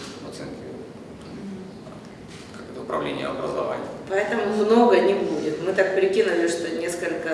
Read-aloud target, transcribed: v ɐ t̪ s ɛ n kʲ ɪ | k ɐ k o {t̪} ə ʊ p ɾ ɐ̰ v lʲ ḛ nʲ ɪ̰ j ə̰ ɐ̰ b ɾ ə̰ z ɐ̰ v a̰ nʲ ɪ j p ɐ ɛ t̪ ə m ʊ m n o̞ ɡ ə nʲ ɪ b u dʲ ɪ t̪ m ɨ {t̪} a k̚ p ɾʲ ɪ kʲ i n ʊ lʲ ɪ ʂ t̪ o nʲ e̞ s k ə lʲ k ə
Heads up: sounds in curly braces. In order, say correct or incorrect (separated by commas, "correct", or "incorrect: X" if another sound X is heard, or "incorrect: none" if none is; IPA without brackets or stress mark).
correct, correct